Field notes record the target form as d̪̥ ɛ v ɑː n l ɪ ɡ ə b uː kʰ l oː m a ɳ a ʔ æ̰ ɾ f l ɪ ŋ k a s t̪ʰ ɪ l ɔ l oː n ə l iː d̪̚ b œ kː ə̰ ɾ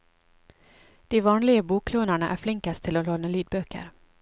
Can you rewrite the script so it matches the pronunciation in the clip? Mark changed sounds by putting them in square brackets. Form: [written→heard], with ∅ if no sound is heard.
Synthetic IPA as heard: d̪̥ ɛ v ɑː n l ɪ ɡ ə b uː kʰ l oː [m→n] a ɳ a ʔ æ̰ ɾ f l ɪ ŋ k a s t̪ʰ ɪ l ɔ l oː n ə l [iː→yː] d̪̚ b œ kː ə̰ ɾ